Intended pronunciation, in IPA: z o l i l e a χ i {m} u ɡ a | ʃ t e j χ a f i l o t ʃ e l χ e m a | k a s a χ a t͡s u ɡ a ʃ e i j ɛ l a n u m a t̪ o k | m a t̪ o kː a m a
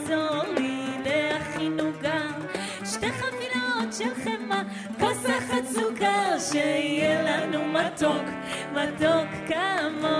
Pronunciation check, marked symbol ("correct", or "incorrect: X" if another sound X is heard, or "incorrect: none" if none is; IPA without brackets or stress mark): incorrect: n